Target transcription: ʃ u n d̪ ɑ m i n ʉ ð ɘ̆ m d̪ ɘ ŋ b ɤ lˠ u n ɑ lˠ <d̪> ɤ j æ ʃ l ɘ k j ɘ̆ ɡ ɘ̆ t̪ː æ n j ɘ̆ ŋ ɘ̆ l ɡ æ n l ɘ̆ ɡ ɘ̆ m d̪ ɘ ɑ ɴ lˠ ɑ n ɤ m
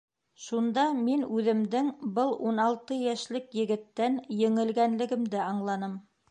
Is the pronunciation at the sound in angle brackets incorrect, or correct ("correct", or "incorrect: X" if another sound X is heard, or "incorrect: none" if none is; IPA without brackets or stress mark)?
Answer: incorrect: t̪